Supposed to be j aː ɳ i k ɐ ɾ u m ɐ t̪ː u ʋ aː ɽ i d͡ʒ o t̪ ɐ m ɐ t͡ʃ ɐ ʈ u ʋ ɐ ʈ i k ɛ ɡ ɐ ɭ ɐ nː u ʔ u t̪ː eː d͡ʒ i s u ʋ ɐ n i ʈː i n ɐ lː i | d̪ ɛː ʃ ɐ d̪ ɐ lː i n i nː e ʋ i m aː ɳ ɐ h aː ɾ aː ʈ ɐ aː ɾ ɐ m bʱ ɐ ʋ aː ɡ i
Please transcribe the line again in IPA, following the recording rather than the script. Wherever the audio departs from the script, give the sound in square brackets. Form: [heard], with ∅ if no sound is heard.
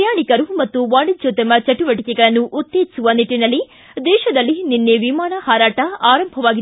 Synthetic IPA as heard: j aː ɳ i k ɐ ɾ u m ɐ t̪ː u ʋ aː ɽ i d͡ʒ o t̪ ɐ m ɐ t͡ʃ ɐ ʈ u ʋ ɐ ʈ i k ɛ ɡ ɐ ɭ ɐ nː u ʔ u t̪ː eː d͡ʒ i s u ʋ ɐ n i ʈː i n ɐ lː i | d̪ ɛː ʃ ɐ d̪ ɐ lː i n i nː e ʋ i m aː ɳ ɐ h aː ɾ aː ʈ ɐ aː ɾ ɐ m bʱ ɐ ʋ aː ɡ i

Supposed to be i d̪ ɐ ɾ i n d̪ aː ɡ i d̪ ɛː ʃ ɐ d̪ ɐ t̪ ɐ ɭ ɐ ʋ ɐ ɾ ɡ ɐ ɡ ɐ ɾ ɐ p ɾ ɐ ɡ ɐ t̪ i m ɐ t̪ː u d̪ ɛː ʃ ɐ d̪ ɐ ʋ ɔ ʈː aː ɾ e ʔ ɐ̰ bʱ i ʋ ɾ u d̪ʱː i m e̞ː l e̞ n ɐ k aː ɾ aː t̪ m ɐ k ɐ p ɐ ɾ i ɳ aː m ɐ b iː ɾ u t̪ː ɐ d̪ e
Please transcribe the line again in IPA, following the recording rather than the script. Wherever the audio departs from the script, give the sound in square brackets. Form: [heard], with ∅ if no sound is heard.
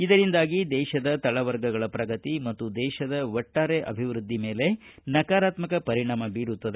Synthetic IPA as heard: i d̪ ɐ ɾ i n d̪ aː ɡ i d̪ ɛː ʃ ɐ d̪ ɐ t̪ ɐ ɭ ɐ ʋ ɐ ɾ ɡ ɐ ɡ ɐ [ɭ] ɐ p ɾ ɐ ɡ ɐ t̪ i m ɐ t̪ː u d̪ ɛː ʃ ɐ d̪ ɐ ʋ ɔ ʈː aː ɾ e ʔ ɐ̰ bʱ i ʋ ɾ u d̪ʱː i m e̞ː l e̞ n ɐ k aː ɾ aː t̪ m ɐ k ɐ p ɐ ɾ i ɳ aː m ɐ b iː ɾ u t̪ː ɐ d̪ e

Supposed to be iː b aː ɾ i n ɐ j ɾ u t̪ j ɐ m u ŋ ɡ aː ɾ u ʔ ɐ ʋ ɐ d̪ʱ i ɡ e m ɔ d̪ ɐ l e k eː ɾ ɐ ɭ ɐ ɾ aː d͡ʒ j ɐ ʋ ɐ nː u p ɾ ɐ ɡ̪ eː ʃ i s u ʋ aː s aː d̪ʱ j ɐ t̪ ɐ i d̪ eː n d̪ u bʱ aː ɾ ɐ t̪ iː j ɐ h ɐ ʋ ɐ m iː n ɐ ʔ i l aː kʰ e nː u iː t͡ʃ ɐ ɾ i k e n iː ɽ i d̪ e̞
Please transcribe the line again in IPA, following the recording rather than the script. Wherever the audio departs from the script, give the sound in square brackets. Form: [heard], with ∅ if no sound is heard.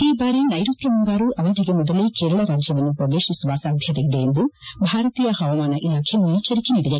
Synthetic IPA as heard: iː b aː ɾ i n ɐ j ɾ u t̪ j ɐ m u ŋ ɡ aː ɾ u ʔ ɐ ʋ ɐ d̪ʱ i ɡ e m ɔ d̪ ɐ l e k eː ɾ ɐ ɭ ɐ ɾ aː d͡ʒ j ɐ ʋ ɐ nː u p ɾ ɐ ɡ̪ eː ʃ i s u ʋ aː s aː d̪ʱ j ɐ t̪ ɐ i d̪ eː n d̪ u bʱ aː ɾ ɐ t̪ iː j ɐ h ɐ ʋ ɐ m [aː] n ɐ ʔ i l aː kʰ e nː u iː t͡ʃ ɐ ɾ i k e n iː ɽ i d̪ e̞

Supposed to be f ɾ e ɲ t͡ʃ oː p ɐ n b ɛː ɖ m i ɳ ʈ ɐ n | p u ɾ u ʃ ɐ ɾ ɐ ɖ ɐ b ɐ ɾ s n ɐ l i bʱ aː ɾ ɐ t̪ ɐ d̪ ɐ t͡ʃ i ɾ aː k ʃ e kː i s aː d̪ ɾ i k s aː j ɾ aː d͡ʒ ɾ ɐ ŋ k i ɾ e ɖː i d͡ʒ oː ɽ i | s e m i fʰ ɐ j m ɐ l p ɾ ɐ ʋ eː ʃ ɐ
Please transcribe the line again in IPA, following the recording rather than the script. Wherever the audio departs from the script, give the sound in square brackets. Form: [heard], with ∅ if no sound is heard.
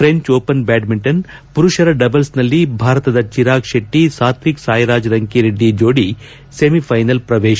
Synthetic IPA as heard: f ɾ e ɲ t͡ʃ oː p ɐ n b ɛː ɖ m i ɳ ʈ ɐ n | p u ɾ u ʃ ɐ ɾ ɐ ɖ ɐ b ɐ [l] s n ɐ [lː] i bʱ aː ɾ ɐ t̪ ɐ d̪ ɐ t͡ʃ i ɾ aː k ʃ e [ʈː] i s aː [t̪] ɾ i k s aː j ɾ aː d͡ʒ ɾ ɐ ŋ k i ɾ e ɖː i d͡ʒ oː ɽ i | s e m i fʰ ɐ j [n] ɐ l p ɾ ɐ ʋ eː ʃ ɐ

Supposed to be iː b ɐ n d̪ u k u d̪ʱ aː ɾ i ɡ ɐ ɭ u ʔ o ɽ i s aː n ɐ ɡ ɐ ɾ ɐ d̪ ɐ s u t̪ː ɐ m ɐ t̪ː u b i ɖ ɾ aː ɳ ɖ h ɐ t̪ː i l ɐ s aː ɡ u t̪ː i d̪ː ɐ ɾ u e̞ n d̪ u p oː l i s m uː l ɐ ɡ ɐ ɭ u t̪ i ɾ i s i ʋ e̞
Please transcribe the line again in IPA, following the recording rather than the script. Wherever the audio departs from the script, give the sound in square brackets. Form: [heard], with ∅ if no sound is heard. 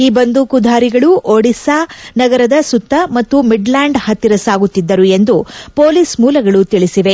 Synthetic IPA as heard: iː b ɐ n d̪ u k u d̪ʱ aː ɾ i ɡ ɐ ɭ u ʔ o ɽ i s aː n ɐ ɡ ɐ ɾ ɐ d̪ ɐ s u t̪ː ɐ m ɐ t̪ː u [m] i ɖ [l] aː ɳ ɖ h ɐ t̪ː i [ɾ] ɐ s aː ɡ u t̪ː i d̪ː ɐ ɾ u e̞ n d̪ u p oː l i s m uː l ɐ ɡ ɐ ɭ u t̪ i [ɭ] i s i ʋ e̞

